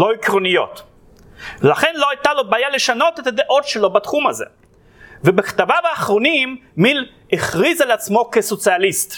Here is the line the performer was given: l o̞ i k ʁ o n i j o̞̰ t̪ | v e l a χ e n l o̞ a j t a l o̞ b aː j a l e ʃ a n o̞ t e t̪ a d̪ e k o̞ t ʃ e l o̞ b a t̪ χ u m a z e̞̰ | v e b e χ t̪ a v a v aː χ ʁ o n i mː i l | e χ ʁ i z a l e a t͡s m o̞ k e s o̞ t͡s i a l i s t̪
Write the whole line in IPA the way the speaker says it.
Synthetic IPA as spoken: l o̞ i k ʁ o n i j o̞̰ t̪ | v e l a χ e n l o̞ a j t a l o̞ b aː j a l e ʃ a n o̞ t e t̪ a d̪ e ʔ o̞ t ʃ e l o̞ b a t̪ χ u m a z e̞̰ | v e b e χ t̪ a v a v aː χ ʁ o n i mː i l | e χ ʁ i z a l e a t͡s m o̞ k e s o̞ t͡s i a l i s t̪